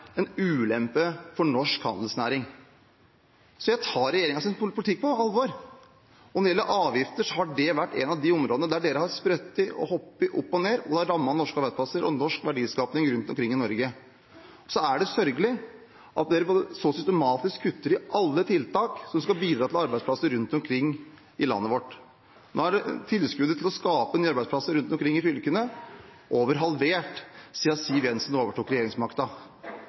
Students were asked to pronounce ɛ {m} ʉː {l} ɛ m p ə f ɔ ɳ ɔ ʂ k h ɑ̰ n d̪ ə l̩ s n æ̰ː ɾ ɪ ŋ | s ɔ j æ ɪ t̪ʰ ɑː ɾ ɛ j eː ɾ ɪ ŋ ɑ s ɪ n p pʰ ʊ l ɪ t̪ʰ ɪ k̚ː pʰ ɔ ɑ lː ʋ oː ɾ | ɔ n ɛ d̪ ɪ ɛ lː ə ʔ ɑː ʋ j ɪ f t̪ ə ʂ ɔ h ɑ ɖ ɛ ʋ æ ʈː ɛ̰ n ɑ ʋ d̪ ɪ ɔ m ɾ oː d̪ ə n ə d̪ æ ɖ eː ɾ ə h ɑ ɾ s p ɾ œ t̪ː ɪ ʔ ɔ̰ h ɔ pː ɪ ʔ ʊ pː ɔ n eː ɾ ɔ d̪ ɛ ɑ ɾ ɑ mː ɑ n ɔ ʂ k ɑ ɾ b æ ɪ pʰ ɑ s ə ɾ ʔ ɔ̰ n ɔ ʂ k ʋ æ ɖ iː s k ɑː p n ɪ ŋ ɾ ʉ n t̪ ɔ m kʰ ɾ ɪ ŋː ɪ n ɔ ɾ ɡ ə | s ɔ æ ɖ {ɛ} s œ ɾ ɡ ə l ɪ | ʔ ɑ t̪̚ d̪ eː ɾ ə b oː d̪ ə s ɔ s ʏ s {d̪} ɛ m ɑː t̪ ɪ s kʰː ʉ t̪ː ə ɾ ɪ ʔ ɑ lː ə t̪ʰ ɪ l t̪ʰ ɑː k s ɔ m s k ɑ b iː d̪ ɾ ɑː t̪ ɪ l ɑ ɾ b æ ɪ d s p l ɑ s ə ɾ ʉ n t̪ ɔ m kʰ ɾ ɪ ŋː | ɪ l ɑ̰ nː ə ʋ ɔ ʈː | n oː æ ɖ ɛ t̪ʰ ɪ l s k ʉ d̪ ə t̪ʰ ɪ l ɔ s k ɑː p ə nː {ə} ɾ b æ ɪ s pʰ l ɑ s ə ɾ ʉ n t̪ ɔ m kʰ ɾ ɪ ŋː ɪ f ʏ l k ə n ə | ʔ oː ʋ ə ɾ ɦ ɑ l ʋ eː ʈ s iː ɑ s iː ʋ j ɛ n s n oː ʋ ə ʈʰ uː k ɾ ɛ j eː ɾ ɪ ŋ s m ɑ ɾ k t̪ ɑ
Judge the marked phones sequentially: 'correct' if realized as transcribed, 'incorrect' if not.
incorrect: n, correct, correct, incorrect: t̪, incorrect: ɑ

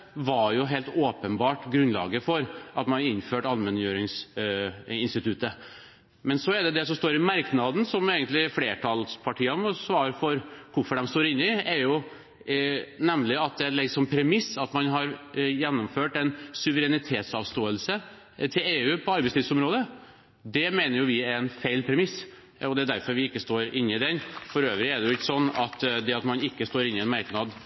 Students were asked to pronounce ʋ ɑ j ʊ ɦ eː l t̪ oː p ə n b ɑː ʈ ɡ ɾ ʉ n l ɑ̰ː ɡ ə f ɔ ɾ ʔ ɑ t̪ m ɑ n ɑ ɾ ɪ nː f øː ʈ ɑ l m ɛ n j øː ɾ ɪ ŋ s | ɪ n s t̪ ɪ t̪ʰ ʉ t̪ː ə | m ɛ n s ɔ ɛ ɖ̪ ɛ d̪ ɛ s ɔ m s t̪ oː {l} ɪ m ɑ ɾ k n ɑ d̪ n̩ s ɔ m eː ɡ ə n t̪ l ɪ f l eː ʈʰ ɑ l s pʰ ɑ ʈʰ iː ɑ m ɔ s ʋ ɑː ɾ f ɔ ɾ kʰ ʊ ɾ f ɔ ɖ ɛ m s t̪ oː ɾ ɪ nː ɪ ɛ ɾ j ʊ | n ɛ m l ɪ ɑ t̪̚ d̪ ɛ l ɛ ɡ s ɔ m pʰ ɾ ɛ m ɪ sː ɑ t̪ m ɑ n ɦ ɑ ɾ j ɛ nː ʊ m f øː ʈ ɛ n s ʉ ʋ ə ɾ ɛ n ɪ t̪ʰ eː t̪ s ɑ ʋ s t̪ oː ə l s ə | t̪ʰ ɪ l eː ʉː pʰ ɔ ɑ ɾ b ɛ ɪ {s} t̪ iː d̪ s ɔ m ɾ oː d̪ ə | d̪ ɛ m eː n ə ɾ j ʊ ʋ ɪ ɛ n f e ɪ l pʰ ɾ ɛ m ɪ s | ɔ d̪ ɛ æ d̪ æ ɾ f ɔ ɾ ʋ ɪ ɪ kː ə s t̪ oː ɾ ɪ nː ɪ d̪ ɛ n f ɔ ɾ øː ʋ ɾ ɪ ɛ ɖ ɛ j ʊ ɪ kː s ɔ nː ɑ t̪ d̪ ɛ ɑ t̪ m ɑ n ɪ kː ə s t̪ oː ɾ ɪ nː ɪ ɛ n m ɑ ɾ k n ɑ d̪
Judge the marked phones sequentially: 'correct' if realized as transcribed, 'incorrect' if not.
incorrect: ɾ, correct

